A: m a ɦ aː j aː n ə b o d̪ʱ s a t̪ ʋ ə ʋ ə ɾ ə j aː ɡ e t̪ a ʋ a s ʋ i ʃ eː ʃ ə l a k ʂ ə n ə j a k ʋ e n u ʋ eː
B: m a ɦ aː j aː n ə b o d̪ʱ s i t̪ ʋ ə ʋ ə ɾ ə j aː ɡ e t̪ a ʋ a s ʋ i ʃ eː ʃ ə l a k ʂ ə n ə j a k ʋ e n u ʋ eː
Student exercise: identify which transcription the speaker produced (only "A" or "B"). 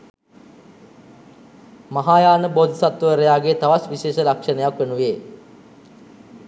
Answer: A